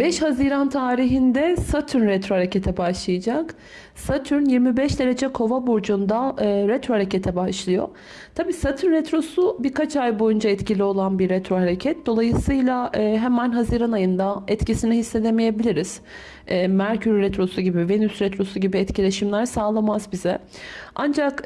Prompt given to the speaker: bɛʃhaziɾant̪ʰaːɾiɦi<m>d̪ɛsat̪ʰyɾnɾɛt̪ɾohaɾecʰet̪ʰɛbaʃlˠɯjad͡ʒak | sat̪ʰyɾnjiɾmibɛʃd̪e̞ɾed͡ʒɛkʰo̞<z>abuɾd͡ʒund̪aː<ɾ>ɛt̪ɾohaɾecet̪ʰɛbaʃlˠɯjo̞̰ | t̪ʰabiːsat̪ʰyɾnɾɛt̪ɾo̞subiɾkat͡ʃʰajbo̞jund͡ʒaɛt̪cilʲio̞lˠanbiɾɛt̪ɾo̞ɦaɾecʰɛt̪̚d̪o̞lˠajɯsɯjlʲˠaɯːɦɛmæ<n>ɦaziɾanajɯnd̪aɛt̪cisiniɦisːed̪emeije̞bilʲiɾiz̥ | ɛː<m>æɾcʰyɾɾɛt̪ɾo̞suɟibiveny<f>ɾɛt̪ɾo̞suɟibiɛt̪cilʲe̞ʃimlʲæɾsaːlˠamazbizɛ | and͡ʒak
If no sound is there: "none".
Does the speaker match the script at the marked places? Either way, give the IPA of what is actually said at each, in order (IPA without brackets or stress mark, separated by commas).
n, v, ɾ, n, m, s